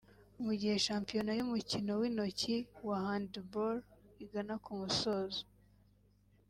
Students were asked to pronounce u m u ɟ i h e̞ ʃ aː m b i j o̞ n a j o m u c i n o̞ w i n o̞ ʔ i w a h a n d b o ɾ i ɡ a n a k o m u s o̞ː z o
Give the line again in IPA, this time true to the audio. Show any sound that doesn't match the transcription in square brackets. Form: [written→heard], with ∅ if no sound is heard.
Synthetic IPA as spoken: u m u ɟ i h e̞ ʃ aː m [b→p] i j o̞ n a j [o→u] m u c i n o̞ w i n o̞ [ʔ→c] i w a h a n d b o ɾ i ɡ a n a k [o→u] m u s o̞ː z o